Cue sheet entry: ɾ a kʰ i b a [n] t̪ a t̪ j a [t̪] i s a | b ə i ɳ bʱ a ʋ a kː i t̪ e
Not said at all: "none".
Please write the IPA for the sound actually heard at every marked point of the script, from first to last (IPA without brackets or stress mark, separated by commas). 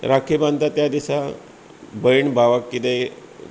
n, d̪